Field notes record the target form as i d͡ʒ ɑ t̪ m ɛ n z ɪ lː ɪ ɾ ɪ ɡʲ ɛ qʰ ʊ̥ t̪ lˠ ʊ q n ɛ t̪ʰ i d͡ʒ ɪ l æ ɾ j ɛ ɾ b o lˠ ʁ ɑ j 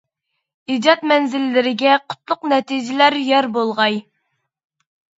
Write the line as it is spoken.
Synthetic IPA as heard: i d͡ʒ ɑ t̪ m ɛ n z ɪ lː ɪ ɾ ɪ ɡʲ ɛ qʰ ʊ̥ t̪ lˠ ʊ q n ɛ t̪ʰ i d͡ʒ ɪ l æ ɾ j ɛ ɾ b o lˠ ʁ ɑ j